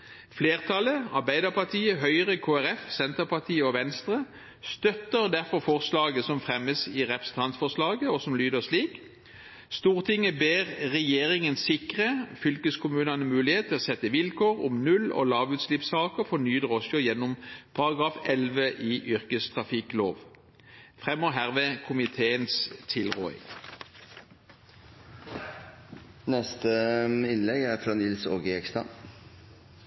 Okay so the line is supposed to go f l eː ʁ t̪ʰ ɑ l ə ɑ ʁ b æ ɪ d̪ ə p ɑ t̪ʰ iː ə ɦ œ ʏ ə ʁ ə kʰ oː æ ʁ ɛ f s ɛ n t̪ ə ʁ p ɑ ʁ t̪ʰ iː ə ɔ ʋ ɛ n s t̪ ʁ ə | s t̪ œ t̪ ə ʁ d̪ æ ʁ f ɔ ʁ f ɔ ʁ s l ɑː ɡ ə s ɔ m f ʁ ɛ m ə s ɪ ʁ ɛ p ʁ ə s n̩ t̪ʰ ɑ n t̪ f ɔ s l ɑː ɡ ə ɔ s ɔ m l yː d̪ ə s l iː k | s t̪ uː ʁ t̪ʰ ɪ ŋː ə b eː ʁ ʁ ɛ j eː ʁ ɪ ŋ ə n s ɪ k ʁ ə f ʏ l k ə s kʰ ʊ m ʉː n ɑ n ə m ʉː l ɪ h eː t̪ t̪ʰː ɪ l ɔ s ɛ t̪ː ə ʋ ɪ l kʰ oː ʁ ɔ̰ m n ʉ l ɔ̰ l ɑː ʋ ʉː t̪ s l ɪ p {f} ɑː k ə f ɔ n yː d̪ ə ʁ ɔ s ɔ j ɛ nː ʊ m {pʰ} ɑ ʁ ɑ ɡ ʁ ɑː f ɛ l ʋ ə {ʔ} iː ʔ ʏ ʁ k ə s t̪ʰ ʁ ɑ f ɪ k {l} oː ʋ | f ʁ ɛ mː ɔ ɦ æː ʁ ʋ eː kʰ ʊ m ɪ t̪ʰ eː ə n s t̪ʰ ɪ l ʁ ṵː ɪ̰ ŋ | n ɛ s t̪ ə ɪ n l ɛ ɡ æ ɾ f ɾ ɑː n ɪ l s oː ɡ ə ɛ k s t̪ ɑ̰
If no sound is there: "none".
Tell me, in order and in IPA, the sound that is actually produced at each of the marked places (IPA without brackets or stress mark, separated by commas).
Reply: s, pʰ, ʔ, l